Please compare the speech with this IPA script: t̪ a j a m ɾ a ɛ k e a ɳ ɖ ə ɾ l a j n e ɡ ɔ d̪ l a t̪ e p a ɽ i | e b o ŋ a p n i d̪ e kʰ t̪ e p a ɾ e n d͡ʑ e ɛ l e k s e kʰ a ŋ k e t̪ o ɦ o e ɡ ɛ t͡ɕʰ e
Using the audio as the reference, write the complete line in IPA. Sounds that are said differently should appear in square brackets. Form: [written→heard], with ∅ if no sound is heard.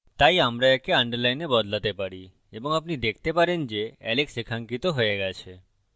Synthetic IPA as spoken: t̪ a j a m ɾ a ɛ k e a ɳ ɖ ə ɾ l a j n e [ɡ→b] ɔ d̪ l a t̪ e p a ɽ i | e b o ŋ a p n i d̪ e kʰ t̪ e p a ɾ e n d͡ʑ e ɛ l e k s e kʰ a ŋ k [e→i] t̪ o ɦ o e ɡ ɛ t͡ɕʰ e